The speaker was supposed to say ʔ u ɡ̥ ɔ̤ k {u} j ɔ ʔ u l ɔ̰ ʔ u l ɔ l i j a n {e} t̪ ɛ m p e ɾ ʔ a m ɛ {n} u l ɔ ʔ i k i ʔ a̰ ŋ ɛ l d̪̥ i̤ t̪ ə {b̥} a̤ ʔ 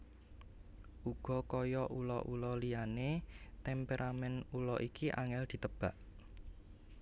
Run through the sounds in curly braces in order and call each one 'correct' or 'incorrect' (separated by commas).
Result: incorrect, correct, correct, correct